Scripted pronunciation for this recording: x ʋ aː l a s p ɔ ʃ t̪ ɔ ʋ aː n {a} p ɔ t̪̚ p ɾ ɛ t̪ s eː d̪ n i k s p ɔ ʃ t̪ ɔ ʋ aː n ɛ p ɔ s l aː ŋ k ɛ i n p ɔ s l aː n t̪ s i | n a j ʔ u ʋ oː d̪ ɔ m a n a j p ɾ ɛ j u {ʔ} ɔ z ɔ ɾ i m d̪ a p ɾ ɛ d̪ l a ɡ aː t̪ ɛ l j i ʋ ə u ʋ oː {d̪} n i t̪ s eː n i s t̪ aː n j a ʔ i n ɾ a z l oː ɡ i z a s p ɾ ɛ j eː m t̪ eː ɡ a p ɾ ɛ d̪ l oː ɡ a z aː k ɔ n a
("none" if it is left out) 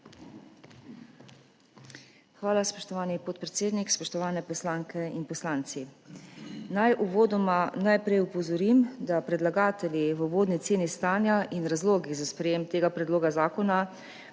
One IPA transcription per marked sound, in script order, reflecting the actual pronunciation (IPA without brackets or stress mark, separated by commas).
i, p, d̪